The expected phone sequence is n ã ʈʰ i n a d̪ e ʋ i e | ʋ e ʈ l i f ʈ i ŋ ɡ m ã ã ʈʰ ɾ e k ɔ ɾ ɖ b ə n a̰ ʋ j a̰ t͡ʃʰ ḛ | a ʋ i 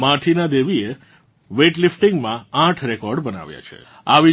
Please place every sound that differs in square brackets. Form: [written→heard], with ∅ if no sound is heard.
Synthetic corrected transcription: [n→m] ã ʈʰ i n a d̪ e ʋ i e | ʋ e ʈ l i f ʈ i ŋ ɡ m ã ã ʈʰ ɾ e k ɔ ɾ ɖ b ə n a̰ ʋ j a̰ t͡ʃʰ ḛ | a ʋ i